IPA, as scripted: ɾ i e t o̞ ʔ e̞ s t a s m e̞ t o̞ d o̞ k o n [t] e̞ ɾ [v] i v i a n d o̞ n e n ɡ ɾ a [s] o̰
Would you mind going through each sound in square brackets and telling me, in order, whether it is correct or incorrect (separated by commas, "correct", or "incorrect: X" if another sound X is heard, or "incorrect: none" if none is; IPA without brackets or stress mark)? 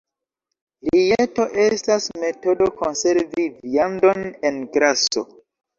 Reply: incorrect: s, correct, correct